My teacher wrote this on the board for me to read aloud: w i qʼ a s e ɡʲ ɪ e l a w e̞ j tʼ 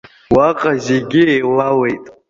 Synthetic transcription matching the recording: w a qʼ a z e ɡʲ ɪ e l a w e̞ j tʼ